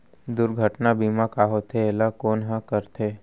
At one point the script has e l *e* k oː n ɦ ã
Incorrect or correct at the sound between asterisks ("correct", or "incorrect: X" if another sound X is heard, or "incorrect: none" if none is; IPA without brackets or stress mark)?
incorrect: a